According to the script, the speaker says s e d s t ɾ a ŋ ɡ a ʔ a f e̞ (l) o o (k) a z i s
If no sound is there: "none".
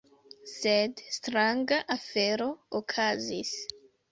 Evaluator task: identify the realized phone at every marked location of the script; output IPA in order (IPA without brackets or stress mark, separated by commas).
ɾ, kʰ